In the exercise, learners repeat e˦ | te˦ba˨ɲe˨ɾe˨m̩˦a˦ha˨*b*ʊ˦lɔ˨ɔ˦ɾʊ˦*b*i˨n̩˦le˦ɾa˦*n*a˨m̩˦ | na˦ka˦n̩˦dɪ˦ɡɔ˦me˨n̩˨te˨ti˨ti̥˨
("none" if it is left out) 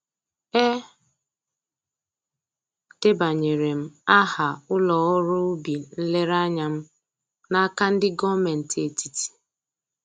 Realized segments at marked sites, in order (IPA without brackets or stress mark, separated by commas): none, b, ɲ